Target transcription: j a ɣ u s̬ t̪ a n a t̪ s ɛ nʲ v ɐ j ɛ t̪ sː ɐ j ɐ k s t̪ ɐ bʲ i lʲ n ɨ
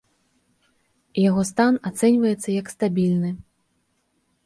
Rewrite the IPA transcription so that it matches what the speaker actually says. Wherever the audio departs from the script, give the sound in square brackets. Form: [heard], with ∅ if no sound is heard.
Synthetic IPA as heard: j a ɣ [ɔ] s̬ t̪ a n a t̪ s ɛ nʲ v ɐ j ɛ t̪ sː ɐ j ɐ k s t̪ [a] bʲ i lʲ n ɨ